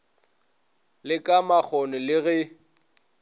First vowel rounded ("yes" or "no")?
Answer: no